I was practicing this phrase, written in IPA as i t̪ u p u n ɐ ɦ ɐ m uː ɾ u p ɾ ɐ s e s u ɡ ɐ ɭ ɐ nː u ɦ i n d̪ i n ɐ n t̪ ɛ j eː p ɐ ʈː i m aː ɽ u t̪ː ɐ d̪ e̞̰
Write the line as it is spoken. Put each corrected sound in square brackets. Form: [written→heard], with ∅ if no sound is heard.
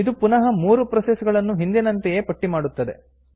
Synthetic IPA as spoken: i [t̪→d̪] u p u n ɐ ɦ ɐ m uː ɾ u p ɾ ɐ s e s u ɡ ɐ ɭ ɐ nː u ɦ i n d̪ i n ɐ n t̪ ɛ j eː p ɐ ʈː i m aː ɽ u t̪ː ɐ d̪ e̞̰